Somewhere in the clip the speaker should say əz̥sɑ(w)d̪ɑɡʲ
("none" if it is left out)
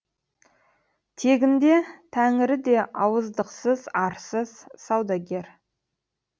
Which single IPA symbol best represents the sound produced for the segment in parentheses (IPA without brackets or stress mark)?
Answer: w